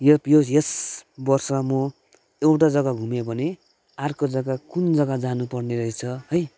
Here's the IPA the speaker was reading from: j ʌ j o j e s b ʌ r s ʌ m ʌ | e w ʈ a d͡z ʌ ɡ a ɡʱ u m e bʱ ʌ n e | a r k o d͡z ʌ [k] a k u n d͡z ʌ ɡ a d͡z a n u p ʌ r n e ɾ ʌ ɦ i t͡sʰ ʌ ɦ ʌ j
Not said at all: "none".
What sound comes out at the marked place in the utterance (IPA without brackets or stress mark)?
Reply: ɡ